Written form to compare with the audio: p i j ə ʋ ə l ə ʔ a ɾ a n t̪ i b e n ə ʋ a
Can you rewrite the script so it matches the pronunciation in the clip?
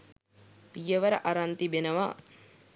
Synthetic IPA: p i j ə ʋ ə ɾ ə ʔ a ɾ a n t̪ i b e n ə ʋ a